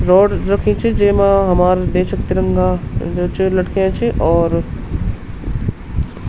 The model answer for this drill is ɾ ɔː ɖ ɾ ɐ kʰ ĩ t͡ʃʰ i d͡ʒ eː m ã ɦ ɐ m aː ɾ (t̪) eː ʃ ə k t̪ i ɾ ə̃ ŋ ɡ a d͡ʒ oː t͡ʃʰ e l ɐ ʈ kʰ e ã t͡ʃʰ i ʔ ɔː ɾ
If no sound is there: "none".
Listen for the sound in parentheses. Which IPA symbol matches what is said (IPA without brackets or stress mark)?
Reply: d̪